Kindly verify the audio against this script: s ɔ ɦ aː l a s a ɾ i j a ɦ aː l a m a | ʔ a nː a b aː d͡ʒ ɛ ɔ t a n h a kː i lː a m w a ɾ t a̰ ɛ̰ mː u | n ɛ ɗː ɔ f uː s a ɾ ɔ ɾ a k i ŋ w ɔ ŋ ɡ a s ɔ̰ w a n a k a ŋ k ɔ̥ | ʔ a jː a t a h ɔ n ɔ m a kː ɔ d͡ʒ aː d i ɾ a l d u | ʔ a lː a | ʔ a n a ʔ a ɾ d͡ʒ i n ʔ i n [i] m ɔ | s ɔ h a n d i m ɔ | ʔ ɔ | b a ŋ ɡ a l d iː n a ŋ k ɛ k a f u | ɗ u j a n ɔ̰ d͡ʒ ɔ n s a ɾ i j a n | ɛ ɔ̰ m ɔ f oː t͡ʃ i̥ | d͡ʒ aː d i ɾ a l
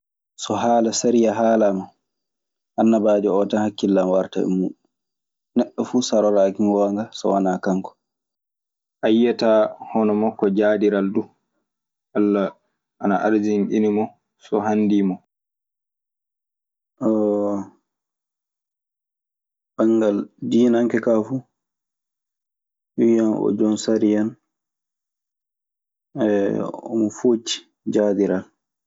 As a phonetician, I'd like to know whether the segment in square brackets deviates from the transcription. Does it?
no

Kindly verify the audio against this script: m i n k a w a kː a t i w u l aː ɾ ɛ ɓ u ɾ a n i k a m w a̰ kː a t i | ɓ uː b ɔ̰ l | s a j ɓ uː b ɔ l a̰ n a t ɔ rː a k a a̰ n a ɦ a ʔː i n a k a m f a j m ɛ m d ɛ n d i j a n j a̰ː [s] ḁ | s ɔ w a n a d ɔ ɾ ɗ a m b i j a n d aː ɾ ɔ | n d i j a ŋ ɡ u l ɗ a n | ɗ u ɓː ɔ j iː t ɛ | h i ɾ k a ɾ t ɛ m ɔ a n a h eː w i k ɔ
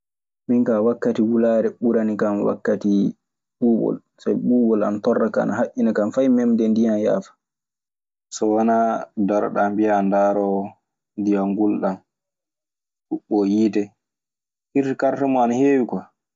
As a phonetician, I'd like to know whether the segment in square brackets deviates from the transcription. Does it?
yes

